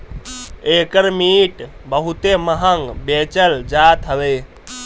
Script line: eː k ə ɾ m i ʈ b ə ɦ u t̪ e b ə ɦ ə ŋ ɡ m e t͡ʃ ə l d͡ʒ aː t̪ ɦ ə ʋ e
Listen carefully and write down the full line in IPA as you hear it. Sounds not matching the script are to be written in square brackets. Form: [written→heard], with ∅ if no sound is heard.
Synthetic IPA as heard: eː k ə ɾ m i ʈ b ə ɦ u t̪ e [b→m] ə ɦ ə ŋ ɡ [m→b] e t͡ʃ ə l d͡ʒ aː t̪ ɦ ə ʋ e